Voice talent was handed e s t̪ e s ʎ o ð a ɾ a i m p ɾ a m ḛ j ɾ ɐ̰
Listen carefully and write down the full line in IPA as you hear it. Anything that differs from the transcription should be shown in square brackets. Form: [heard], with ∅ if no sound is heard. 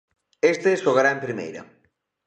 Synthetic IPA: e s t̪ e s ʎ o [ɣ] a ɾ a [e] m p ɾ [i] m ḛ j ɾ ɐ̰